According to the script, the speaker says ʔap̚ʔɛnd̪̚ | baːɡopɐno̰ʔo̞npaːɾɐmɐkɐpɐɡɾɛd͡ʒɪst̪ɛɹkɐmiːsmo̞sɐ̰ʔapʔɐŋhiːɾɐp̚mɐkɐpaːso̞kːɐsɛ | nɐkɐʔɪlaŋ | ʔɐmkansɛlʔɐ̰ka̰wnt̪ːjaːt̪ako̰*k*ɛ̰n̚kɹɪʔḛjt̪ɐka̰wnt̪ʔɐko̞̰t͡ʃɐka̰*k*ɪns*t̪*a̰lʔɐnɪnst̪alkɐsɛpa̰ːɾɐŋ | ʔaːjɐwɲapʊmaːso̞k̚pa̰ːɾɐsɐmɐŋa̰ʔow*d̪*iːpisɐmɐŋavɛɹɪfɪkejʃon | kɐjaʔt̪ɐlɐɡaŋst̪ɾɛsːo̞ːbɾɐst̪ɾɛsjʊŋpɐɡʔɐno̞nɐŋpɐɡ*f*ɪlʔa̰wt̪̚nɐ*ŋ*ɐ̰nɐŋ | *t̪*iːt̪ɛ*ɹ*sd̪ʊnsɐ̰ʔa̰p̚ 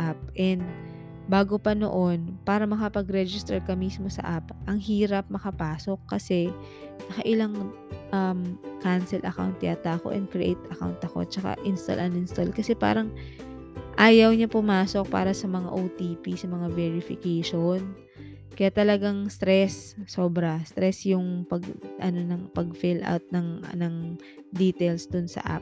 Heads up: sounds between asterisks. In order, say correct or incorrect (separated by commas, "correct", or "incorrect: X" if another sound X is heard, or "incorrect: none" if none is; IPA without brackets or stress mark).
incorrect: ʔ, incorrect: ʔ, correct, incorrect: t̪, correct, correct, incorrect: d̪, incorrect: l